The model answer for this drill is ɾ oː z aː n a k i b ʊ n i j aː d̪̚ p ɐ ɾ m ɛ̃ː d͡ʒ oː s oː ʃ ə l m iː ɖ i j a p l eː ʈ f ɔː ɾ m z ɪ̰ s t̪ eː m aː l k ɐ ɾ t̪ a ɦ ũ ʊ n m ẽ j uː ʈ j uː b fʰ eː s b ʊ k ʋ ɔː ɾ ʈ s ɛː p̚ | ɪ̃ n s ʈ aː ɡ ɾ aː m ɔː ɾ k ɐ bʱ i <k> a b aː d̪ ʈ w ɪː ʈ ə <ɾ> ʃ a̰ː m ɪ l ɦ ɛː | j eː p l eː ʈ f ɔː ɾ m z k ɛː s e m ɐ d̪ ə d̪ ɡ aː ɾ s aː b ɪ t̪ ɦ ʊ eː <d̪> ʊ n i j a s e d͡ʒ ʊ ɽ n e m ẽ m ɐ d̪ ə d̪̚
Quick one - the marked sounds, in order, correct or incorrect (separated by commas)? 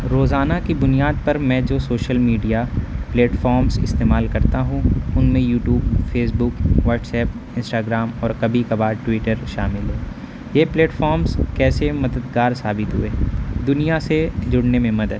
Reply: correct, correct, correct